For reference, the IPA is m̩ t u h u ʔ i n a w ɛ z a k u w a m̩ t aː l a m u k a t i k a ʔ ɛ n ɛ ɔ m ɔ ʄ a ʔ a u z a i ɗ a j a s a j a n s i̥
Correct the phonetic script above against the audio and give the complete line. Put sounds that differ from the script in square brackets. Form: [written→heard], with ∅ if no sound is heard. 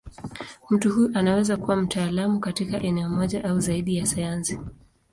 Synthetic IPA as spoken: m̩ t u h u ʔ [i→a] n a w ɛ z a k u w a m̩ t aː l a m u k a t i k a ʔ ɛ n ɛ ɔ m ɔ ʄ a ʔ a u z a i ɗ [a→i] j a s a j a n s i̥